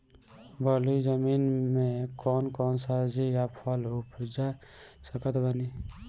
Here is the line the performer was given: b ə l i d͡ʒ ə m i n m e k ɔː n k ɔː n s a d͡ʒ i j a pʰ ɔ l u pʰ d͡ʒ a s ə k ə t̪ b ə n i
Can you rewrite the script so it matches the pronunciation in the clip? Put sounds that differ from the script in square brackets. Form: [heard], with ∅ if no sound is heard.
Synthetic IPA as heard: b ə l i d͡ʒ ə m i n m e k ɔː n k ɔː n s a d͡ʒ i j a pʰ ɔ l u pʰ d͡ʒ a s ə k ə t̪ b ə n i